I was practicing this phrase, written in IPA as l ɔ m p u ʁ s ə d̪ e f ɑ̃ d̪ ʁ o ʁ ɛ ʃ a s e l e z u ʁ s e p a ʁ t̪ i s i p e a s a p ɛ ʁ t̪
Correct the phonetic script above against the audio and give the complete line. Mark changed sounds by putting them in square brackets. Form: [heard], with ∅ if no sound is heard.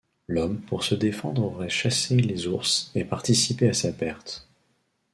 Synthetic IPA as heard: l ɔ m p u ʁ s ə d̪ e f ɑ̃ d̪ ʁ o ʁ ɛ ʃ a s e l e z u ʁ s e p a ʁ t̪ i s i p e a s a p ɛ ʁ t̪